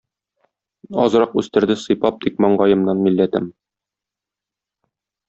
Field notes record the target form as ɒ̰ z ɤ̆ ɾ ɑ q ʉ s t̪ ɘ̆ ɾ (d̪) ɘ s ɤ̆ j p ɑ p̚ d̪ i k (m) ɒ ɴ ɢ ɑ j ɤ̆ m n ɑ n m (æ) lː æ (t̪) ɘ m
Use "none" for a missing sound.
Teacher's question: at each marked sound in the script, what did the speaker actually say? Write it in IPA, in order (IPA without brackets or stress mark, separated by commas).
d̪, m, i, t̪